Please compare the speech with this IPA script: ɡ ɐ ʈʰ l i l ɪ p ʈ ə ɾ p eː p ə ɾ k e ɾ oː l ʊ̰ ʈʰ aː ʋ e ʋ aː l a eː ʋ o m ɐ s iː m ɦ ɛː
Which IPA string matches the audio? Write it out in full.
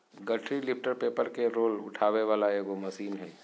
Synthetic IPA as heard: ɡ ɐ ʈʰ ɾ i l ɪ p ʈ ə ɾ p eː p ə ɾ k e ɾ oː l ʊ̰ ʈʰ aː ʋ e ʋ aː l a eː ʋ o m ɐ s iː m ɦ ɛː